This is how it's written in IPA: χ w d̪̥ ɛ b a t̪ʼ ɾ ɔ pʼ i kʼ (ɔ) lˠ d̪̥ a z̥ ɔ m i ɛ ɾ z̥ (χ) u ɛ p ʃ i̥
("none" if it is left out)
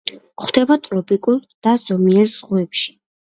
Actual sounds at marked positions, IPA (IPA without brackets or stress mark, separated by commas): u, ʁ